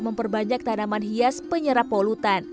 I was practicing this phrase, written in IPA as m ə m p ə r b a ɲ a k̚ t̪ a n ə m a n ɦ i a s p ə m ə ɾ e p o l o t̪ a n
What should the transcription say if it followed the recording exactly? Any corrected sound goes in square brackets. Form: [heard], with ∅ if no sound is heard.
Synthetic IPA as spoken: m ə m p ə r b a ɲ a k̚ t̪ a n [a] m a n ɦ i a s p ə [ɲ] ə ɾ [a] p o l [u] t̪ a n